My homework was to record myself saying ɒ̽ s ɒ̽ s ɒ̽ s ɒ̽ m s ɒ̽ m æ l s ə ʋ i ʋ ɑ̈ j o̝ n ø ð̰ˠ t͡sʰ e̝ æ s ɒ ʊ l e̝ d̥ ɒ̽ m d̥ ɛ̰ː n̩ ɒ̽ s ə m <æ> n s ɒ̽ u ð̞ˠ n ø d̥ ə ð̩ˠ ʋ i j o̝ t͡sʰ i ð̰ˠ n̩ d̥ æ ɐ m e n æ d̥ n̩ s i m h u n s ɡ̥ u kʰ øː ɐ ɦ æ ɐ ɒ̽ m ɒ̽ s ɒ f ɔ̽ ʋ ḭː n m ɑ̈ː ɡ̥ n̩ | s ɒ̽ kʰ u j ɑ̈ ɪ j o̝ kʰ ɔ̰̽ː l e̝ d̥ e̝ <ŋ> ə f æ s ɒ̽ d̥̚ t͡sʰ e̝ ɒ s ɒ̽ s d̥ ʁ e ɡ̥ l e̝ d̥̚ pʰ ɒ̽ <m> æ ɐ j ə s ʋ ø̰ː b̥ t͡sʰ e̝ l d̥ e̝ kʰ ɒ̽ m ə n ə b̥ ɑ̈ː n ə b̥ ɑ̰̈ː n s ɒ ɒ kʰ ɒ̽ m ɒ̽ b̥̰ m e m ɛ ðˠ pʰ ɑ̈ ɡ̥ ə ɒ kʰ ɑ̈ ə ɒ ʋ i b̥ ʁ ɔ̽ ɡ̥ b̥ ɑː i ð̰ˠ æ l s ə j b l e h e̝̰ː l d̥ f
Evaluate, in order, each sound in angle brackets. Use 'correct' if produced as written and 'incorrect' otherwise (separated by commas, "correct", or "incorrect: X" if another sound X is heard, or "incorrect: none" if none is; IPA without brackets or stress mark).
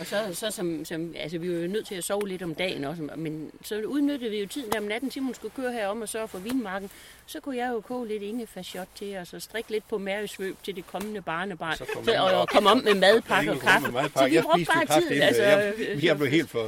incorrect: e, correct, correct